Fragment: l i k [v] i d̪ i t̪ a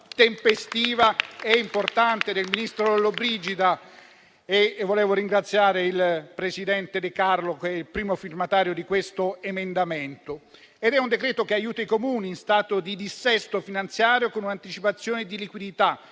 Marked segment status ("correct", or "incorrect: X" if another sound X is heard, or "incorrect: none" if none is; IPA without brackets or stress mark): incorrect: w